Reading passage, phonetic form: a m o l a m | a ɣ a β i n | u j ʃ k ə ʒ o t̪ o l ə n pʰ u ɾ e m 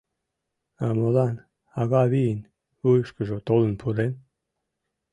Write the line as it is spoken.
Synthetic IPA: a m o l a n | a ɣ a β i n | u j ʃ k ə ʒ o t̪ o l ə n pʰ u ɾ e n